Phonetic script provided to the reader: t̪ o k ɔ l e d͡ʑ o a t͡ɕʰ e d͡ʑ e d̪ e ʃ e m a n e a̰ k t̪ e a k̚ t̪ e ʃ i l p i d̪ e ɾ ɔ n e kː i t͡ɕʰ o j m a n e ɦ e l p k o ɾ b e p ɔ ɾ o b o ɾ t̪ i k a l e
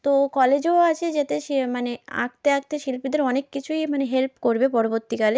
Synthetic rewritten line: t̪ o k ɔ l e d͡ʑ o a t͡ɕʰ e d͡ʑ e t̪ e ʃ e m a n e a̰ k t̪ e a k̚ t̪ e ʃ i l p i d̪ e ɾ ɔ n e kː i t͡ɕʰ u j m a n e ɦ e l p k o ɾ b e p ɔ ɾ o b o ɾ t̪ i k a l e